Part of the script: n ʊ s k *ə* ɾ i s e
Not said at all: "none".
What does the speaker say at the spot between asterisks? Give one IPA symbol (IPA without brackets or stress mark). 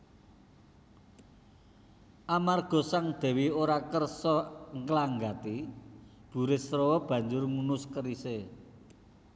ə